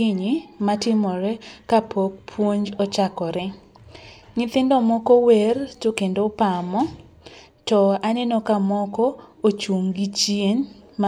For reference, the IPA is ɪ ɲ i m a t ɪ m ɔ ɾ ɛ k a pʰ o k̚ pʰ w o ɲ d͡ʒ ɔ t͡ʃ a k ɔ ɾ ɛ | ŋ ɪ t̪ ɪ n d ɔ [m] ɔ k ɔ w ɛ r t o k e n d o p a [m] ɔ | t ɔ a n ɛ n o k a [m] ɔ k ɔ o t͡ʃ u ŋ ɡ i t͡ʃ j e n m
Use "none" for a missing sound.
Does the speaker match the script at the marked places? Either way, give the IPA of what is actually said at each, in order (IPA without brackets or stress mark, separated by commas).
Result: m, m, m